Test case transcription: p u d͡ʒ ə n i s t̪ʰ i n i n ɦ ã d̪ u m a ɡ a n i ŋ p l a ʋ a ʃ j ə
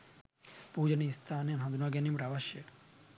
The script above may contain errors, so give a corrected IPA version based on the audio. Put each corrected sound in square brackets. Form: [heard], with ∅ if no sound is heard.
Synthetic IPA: p u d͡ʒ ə n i s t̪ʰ [a] n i n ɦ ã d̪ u [n] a ɡ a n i [m] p [ɾ] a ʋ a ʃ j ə